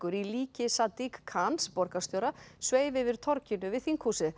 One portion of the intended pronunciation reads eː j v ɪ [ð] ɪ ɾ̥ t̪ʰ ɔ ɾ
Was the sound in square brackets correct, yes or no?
no